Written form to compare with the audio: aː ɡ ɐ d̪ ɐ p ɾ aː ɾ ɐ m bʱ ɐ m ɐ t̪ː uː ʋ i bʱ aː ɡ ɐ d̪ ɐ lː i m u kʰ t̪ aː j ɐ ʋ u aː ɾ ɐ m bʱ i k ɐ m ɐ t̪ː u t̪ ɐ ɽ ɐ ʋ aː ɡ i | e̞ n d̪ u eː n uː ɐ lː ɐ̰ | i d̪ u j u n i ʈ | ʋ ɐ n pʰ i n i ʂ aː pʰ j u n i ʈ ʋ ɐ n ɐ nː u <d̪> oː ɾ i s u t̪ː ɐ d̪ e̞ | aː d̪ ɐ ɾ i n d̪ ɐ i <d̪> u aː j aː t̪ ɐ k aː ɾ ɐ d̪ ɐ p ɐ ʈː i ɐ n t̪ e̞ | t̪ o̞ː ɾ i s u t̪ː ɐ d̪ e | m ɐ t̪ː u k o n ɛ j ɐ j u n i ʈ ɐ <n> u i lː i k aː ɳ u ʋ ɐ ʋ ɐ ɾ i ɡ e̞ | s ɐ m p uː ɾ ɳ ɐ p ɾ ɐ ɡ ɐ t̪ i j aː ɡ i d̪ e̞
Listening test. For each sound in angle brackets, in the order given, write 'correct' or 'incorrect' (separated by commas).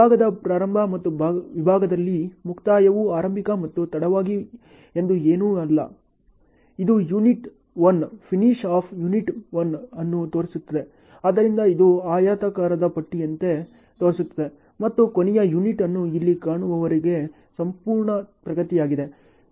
incorrect, correct, incorrect